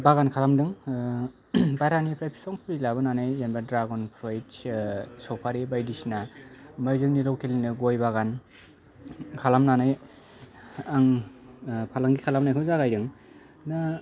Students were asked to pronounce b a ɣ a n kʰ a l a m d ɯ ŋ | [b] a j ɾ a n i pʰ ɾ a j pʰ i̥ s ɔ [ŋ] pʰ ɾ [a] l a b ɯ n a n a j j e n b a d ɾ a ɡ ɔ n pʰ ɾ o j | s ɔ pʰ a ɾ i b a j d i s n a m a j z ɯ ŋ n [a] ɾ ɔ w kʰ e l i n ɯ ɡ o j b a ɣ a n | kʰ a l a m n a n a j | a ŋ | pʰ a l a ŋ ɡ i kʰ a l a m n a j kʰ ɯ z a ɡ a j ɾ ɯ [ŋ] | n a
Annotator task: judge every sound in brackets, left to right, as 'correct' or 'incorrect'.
correct, correct, incorrect, incorrect, correct

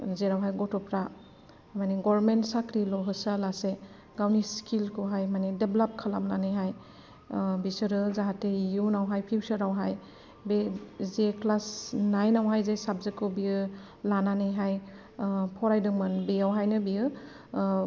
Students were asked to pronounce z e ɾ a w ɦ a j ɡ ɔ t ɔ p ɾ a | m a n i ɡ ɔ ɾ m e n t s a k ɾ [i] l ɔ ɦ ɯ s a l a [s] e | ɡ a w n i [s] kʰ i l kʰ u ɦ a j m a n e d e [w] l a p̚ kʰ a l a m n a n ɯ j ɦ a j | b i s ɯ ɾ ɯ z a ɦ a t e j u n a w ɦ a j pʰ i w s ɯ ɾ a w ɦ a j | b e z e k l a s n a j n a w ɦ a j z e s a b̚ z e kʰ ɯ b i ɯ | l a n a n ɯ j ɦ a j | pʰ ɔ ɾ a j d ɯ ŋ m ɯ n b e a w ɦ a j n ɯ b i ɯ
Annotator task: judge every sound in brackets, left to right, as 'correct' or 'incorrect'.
correct, correct, correct, incorrect

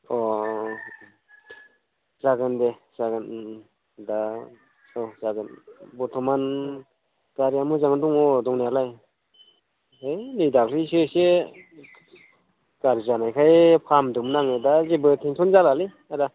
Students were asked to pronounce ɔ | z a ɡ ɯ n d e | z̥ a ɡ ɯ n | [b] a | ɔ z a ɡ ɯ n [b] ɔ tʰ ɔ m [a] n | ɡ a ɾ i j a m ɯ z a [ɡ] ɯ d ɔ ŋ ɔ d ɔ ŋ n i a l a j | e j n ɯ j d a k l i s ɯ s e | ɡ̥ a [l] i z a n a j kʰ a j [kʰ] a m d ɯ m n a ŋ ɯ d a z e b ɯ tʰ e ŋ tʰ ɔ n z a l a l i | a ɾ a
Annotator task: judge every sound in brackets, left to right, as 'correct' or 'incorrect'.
incorrect, correct, correct, incorrect, incorrect, incorrect

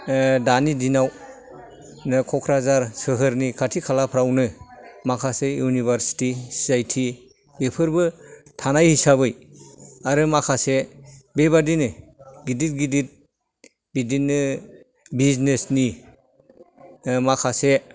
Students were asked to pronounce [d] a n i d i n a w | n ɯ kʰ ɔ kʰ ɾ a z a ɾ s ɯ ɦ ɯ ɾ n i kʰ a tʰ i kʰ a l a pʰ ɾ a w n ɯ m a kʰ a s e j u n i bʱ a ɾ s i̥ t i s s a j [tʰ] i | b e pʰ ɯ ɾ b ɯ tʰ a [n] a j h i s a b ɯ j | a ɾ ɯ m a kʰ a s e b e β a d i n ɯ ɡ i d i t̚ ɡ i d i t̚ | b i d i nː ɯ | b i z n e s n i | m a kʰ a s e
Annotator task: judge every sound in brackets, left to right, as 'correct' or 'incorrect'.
correct, correct, correct

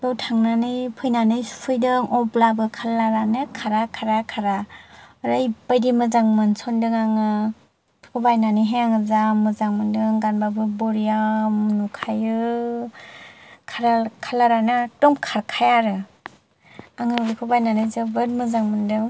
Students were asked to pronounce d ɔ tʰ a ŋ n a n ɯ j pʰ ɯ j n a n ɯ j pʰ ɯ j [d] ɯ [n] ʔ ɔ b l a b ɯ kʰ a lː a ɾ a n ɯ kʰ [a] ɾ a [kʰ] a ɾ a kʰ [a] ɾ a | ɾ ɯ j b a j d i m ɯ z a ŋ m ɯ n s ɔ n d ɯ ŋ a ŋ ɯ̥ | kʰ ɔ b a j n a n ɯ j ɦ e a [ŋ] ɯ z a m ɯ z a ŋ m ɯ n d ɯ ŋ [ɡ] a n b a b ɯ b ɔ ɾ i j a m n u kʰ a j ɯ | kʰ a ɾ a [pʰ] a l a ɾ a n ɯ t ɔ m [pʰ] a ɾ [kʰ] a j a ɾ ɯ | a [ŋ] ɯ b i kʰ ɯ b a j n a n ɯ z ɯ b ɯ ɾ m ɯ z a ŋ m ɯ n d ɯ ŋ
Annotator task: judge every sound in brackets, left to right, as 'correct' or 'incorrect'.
correct, incorrect, correct, correct, correct, correct, correct, incorrect, incorrect, correct, correct

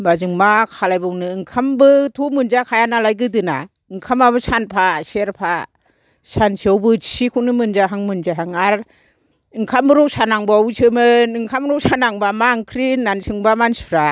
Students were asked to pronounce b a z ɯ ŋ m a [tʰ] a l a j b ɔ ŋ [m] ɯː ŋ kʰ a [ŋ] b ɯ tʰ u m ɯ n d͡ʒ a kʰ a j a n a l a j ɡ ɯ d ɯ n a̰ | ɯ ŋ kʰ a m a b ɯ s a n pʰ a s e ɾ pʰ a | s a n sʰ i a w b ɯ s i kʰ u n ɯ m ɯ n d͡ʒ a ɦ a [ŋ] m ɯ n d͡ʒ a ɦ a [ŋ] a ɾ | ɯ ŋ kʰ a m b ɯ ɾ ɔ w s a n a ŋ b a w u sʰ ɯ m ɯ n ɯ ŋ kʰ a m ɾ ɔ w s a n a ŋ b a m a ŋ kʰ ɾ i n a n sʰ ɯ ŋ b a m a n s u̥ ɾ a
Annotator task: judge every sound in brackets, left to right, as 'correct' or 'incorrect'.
incorrect, incorrect, incorrect, correct, correct

